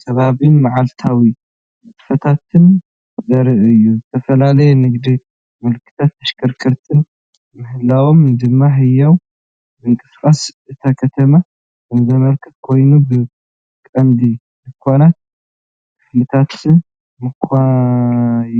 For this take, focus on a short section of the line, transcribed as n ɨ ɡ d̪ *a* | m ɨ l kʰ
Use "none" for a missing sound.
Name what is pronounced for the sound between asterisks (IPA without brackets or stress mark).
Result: i